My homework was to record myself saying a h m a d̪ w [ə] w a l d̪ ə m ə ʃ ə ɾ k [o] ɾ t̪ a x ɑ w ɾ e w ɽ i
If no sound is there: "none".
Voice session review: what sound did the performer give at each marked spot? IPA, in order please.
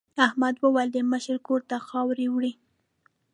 ə, o

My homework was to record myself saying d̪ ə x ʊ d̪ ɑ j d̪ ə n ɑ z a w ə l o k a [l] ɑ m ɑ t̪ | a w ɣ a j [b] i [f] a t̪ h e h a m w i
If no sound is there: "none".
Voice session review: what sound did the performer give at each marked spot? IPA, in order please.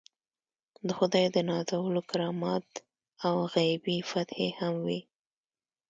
ɾ, b, f

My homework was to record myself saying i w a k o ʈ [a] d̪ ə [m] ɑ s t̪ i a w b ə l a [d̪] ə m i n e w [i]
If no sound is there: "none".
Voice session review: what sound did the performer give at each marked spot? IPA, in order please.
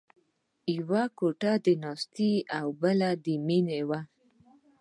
a, n, d̪, a

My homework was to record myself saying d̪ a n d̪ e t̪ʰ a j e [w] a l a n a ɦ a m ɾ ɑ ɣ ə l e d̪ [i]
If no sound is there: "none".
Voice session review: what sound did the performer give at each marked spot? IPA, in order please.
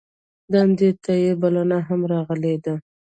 b, a

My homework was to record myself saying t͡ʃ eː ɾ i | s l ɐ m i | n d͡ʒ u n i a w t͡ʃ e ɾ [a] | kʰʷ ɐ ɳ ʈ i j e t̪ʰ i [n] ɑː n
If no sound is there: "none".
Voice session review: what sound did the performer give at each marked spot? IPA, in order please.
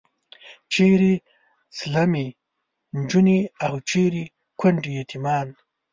i, m

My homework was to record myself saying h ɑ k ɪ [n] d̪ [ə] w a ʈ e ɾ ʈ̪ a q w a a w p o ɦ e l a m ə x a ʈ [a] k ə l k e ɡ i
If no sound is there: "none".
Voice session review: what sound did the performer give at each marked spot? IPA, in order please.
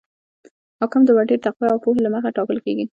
m, ə, ɑ

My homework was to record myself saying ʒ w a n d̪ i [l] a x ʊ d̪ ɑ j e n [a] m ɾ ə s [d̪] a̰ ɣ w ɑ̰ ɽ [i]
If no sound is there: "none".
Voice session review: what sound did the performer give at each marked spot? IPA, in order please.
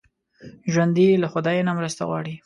l, a, t̪, i

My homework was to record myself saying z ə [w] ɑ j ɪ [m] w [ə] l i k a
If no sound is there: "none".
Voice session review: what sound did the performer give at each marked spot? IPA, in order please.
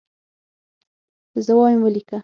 w, m, ə

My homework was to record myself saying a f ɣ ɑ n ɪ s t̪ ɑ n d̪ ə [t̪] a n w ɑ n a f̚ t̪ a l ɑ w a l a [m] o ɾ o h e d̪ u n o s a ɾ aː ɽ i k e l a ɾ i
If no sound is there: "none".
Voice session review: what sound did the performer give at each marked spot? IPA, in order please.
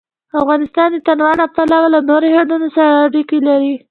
t̪, n

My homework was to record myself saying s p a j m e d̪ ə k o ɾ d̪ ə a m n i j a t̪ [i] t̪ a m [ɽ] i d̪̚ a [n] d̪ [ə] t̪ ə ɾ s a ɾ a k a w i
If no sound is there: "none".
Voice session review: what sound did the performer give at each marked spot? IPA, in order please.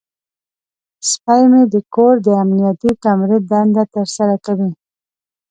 i, ɾ, n, a

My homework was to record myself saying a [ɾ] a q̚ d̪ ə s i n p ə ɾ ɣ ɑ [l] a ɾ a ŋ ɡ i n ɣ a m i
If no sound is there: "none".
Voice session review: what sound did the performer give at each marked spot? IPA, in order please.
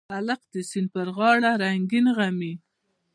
l, ɽ

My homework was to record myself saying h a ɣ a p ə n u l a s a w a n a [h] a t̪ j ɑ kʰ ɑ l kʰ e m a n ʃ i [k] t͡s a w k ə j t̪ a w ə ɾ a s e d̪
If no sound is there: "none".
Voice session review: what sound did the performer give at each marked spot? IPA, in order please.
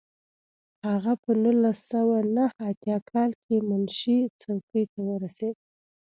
h, none

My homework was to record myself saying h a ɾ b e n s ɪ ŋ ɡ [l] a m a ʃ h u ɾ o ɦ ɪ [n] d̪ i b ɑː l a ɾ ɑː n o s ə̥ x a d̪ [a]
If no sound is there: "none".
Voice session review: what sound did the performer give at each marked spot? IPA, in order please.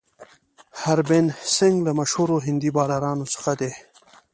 l, n, e

